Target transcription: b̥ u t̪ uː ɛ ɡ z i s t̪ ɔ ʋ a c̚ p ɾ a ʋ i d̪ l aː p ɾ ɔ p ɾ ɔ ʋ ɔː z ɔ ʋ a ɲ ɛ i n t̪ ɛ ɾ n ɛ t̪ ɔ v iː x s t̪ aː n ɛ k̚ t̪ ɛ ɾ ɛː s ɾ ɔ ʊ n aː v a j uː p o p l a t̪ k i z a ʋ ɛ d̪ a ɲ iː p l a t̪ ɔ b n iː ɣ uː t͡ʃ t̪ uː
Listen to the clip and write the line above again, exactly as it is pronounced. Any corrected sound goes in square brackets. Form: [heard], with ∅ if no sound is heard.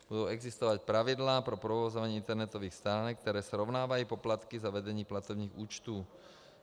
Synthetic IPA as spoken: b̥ u [d̪] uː ɛ ɡ z i s t̪ ɔ ʋ a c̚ p ɾ a ʋ i d̪ l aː p ɾ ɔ p ɾ ɔ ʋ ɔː z ɔ ʋ a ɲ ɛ i n t̪ ɛ ɾ n ɛ t̪ ɔ [ʋ] iː x s t̪ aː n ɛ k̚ t̪ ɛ ɾ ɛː s ɾ ɔ ʊ n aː [ʋ] a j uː p [ɔ] p l a t̪ k i z a ʋ ɛ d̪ [ɛ] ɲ iː p l a t̪ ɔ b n iː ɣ uː t͡ʃ t̪ uː